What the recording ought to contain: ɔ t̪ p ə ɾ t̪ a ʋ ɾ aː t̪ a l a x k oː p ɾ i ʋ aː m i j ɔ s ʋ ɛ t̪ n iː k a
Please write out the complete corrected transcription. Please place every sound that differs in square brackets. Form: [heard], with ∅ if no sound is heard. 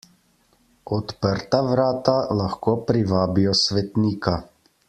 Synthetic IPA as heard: ɔ t̪ p ə ɾ t̪ a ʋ ɾ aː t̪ a l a x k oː p ɾ i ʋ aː [b] i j ɔ s ʋ ɛ t̪ n iː k a